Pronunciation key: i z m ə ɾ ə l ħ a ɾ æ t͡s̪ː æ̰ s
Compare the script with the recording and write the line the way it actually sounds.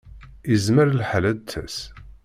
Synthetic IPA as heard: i z m ə ɾ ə l ħ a l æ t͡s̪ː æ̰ s

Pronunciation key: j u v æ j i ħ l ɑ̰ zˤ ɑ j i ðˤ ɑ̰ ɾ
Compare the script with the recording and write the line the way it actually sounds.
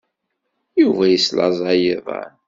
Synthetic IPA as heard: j u v æ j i s l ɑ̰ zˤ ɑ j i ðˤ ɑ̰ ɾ

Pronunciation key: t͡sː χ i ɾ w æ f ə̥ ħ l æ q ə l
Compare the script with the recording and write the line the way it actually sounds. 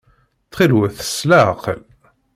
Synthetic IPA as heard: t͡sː χ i l w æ θ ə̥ s l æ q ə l

